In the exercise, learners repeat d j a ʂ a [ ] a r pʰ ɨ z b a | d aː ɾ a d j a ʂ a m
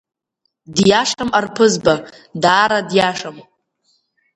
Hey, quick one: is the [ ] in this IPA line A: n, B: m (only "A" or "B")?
B